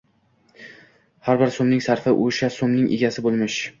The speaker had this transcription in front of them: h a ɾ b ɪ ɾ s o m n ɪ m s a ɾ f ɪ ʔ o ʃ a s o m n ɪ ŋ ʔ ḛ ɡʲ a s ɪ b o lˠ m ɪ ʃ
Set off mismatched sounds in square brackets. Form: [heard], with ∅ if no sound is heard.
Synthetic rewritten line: h a ɾ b ɪ ɾ s o m n ɪ [ŋ] s a ɾ f ɪ ʔ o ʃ a s o m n ɪ ŋ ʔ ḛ ɡʲ a s ɪ b o lˠ m ɪ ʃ